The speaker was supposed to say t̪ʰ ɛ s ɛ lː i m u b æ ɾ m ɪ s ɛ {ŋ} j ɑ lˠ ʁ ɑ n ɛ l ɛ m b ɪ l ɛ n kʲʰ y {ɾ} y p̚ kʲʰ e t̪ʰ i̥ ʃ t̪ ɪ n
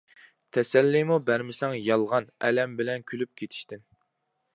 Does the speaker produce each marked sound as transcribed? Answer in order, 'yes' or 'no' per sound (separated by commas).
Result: yes, no